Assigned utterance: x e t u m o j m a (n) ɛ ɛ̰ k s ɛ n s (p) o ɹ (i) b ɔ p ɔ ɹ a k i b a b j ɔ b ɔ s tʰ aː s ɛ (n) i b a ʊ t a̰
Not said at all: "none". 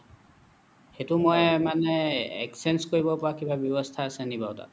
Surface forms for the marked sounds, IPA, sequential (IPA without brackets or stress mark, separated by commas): n, k, i, n